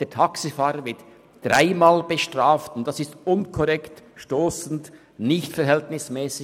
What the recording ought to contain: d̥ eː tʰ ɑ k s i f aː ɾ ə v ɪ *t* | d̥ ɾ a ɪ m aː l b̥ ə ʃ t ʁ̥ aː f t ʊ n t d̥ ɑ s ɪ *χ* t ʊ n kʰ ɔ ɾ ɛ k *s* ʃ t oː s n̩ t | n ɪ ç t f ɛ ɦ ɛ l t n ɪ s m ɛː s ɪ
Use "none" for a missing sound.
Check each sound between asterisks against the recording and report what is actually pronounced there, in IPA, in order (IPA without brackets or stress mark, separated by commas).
t, s, t